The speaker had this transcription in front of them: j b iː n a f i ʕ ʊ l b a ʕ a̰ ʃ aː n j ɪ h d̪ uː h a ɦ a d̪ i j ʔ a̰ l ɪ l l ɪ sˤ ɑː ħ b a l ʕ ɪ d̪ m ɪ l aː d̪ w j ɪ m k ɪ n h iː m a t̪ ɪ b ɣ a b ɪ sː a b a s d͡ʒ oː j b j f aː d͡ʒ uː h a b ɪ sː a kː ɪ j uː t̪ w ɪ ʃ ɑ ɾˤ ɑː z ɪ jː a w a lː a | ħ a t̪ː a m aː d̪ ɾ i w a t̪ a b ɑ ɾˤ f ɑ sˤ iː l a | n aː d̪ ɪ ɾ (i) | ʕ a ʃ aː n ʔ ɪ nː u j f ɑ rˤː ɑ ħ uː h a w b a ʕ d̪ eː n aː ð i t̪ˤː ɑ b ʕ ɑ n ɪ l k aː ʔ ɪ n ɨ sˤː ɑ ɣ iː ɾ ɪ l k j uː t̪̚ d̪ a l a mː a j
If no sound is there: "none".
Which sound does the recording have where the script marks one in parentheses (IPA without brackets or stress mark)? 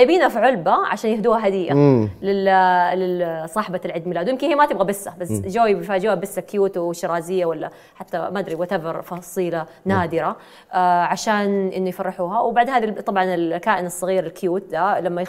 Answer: a